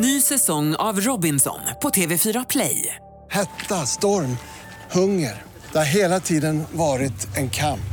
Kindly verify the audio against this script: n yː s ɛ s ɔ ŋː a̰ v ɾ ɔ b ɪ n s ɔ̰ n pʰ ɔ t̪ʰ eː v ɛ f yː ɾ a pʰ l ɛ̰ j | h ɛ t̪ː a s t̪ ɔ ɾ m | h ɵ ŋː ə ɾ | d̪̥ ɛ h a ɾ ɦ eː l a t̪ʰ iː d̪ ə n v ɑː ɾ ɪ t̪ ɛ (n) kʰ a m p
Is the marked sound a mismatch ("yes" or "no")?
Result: no